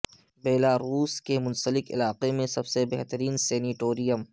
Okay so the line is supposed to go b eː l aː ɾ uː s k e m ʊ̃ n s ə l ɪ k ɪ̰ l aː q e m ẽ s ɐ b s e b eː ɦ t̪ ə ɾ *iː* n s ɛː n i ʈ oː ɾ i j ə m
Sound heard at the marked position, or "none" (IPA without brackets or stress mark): iː